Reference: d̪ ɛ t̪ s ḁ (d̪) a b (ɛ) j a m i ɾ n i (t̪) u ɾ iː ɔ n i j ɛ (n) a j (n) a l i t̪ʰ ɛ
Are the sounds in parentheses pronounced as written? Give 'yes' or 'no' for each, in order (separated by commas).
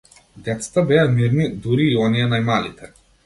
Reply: no, yes, no, yes, no